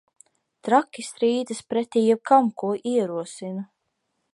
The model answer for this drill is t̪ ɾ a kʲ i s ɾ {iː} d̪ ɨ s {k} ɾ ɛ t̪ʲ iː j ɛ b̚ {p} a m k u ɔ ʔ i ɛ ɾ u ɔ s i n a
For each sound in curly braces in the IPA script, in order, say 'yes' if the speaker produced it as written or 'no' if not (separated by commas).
yes, no, no